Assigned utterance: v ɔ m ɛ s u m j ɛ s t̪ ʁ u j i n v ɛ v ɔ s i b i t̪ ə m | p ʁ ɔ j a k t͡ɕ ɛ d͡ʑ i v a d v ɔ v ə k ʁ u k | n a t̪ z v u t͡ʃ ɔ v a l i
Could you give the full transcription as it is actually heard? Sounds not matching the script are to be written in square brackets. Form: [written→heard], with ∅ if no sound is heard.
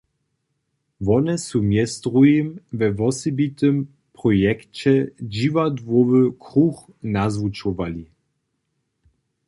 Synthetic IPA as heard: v ɔ [m→n] ɛ s u m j ɛ s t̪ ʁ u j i [n→m] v ɛ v ɔ s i b i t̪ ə m | p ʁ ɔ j [a→ɛ] k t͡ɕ ɛ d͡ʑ i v a d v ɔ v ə k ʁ u [k→x] | n a [t̪→∅] z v u t͡ʃ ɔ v a l i

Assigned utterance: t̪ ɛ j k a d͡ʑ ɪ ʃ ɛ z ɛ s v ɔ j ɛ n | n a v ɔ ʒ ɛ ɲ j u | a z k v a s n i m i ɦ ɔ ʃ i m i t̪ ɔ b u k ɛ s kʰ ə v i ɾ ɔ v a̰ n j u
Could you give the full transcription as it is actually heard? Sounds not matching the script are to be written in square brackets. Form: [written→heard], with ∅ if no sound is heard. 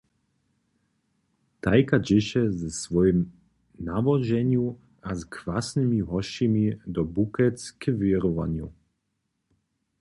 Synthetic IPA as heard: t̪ [ɛ→a] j k a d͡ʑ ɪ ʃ ɛ z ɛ s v ɔ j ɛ [n→m] | n a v ɔ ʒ ɛ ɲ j u | a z k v a s n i m i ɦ ɔ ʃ i m i [t̪→d̪] ɔ b u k ɛ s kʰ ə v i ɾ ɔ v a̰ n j u

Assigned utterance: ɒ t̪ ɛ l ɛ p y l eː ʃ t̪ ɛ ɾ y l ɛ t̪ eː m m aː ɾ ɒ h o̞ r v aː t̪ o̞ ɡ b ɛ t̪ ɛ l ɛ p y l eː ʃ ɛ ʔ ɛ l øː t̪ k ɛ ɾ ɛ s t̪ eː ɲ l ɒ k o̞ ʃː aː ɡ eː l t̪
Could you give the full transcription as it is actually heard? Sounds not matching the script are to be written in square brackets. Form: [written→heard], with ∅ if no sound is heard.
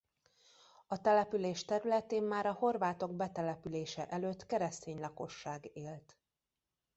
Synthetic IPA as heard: ɒ t̪ ɛ l ɛ p y l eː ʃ t̪ ɛ ɾ y l ɛ t̪ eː m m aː ɾ ɒ h o̞ r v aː t̪ o̞ ɡ b ɛ t̪ ɛ l ɛ p y l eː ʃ ɛ ʔ ɛ l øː t̪ k ɛ ɾ ɛ s t̪ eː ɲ l ɒ k o̞ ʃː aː ɡ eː l t̪

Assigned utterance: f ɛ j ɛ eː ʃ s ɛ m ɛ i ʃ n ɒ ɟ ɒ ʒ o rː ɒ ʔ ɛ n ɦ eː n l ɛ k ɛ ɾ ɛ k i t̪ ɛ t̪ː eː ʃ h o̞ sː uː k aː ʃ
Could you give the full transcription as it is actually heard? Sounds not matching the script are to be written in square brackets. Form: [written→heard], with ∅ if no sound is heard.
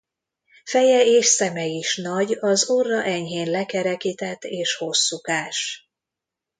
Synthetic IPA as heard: f ɛ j ɛ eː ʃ s ɛ m ɛ i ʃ n ɒ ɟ ɒ [ʒ→z] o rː ɒ ʔ ɛ [n→ɲ] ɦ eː n l ɛ k ɛ ɾ ɛ k i t̪ ɛ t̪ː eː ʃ h o̞ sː [uː→u] k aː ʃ

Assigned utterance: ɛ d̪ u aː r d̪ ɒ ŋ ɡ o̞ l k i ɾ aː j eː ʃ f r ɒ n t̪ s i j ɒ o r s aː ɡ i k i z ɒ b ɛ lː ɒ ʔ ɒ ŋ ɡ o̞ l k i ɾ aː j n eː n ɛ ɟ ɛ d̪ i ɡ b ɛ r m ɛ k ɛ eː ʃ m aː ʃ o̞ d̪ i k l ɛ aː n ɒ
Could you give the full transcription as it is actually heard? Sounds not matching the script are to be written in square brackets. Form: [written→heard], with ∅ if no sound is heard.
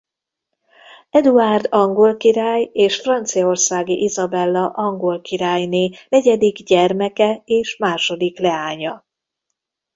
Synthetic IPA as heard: ɛ d̪ u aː r d̪ ɒ ŋ ɡ o̞ l k i ɾ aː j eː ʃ f r ɒ n t̪ s i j ɒ o r s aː ɡ i [k→ʔ] i z ɒ b ɛ lː ɒ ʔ ɒ ŋ ɡ o̞ l k i ɾ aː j n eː n ɛ ɟ ɛ d̪ i ɡ [b→ɟ] ɛ r m ɛ k ɛ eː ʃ m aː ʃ o̞ d̪ i k l ɛ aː [n→ɲ] ɒ

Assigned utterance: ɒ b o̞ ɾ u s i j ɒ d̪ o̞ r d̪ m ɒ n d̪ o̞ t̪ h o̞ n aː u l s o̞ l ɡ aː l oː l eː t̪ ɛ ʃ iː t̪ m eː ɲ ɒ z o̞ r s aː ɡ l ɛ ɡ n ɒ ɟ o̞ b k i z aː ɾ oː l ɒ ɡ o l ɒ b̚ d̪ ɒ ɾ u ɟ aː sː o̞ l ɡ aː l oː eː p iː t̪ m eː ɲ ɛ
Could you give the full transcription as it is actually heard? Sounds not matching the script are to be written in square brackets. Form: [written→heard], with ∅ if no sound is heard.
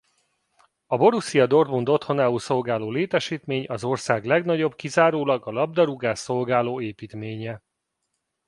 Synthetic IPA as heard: ɒ b o̞ ɾ u s i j ɒ d̪ o̞ r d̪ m [ɒ→u] n d̪ o̞ t̪ h o̞ n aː u l s o̞ l ɡ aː l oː l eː t̪ ɛ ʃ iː t̪ m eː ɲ ɒ z o̞ r s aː ɡ l ɛ ɡ n ɒ ɟ o̞ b k i z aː ɾ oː l ɒ ɡ [o→ɒ] l ɒ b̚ d̪ ɒ ɾ u [ɟ→ɡ] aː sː o̞ l ɡ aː l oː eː p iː t̪ m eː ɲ ɛ

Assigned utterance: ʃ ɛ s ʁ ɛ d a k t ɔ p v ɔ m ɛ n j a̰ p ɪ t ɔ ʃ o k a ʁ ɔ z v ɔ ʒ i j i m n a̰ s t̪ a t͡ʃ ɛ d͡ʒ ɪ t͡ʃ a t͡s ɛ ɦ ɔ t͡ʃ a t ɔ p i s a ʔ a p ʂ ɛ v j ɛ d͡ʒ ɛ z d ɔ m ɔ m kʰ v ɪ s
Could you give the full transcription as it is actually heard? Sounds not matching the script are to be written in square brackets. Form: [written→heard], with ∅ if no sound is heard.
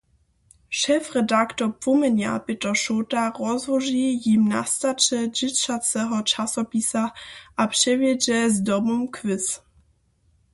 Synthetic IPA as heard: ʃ ɛ [s→f] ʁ ɛ d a k t ɔ p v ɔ m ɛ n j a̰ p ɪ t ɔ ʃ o [k→t] a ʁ ɔ z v ɔ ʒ i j i m n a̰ s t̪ a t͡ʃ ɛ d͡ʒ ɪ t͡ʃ a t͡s ɛ ɦ ɔ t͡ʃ a [t→s] ɔ p i s a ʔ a p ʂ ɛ v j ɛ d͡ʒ ɛ z d ɔ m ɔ m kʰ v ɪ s

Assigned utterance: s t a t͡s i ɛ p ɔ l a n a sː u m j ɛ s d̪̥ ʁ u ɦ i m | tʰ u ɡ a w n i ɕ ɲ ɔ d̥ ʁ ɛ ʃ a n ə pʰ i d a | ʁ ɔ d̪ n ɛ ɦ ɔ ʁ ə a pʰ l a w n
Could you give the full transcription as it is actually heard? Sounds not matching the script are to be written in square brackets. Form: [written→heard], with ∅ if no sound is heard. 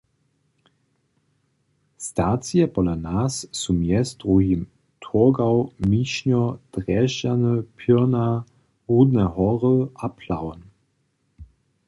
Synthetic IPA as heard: s t a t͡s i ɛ p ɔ l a n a sː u m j ɛ s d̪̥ ʁ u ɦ i m | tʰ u ɡ a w [n→m] i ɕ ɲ ɔ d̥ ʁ ɛ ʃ a n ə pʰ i [d→n] a | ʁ [ɔ→u] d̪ n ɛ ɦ ɔ ʁ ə a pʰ l a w n

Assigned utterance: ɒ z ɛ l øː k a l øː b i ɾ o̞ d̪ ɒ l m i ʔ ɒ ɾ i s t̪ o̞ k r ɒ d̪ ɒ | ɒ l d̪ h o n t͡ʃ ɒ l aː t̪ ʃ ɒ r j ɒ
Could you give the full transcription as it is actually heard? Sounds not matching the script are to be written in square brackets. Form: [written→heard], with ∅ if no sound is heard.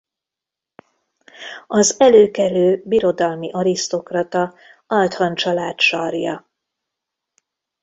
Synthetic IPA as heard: ɒ z ɛ l øː k [a→ɛ] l øː b i ɾ o̞ d̪ ɒ l m i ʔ ɒ ɾ i s t̪ o̞ k r ɒ [d̪→t̪] ɒ | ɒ l [d̪→t̪] h [o→ɒ] n t͡ʃ ɒ l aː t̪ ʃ ɒ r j ɒ

